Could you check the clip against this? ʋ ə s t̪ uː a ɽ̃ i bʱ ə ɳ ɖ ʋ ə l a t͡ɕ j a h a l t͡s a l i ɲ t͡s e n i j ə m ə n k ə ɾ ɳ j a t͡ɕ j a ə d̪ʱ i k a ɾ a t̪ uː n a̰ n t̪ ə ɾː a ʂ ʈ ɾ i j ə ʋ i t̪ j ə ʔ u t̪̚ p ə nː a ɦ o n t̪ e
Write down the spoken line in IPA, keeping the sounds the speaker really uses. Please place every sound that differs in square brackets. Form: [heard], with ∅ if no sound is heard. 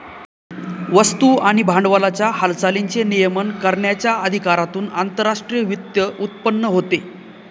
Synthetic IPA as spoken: ʋ ə s t̪ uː a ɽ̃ i bʱ [a] ɳ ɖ ʋ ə l a t͡ɕ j a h a l t͡s a l i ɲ t͡s e n i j ə m ə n k ə ɾ ɳ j a t͡ɕ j a ə d̪ʱ i k a ɾ a t̪ uː n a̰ n t̪ ə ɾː a ʂ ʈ ɾ i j ə ʋ i t̪ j ə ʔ u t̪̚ p ə nː [ə] ɦ o [∅] t̪ e